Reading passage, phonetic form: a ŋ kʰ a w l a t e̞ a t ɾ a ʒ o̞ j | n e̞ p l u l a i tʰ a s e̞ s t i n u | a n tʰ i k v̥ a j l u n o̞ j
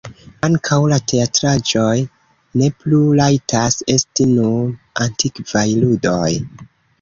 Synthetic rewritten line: a ŋ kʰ a w l a t e̞ a t ɾ a d͡ʒ o̞ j | n e̞ p l u l a j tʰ a s e̞ s t i n u | a n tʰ i k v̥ a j l u d o̞ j